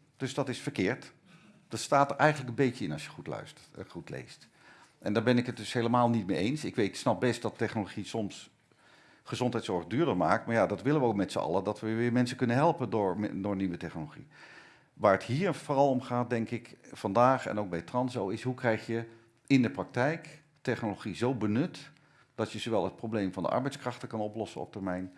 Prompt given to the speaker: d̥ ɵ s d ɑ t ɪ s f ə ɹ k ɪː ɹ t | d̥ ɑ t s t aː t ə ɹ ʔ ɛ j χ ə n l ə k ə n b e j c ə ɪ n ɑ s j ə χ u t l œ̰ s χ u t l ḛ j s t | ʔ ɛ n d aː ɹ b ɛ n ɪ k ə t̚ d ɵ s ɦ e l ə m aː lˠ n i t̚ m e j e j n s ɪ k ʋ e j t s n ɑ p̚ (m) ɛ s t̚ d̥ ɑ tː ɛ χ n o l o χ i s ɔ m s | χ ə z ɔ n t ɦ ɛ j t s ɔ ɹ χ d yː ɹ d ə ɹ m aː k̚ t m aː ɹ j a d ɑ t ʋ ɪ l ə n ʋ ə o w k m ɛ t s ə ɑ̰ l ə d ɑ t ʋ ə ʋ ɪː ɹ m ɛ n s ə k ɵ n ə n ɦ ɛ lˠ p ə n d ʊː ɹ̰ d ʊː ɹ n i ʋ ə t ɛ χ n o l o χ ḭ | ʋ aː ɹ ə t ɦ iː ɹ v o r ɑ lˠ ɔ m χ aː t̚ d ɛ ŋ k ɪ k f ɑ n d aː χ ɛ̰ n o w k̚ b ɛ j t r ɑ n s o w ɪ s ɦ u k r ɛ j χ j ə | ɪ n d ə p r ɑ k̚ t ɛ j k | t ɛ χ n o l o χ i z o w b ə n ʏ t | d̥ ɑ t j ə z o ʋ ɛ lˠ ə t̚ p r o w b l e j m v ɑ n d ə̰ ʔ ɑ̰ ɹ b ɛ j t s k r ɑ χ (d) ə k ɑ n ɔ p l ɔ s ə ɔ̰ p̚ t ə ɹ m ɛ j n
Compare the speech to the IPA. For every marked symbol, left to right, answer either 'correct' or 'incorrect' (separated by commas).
incorrect, incorrect